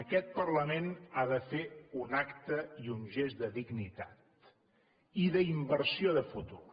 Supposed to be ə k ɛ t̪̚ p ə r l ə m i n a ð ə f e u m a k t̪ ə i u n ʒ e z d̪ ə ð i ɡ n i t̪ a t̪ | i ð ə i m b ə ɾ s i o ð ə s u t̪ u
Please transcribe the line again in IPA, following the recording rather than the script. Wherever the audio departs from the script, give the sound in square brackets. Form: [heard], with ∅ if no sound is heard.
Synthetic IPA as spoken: ə k ɛ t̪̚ p ə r l ə m [e] n a ð ə f e u [n] a k t̪ ə i u n ʒ e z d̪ ə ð i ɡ n i t̪ a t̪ | i ð ə i m b ə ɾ s i o ð ə [f] u t̪ u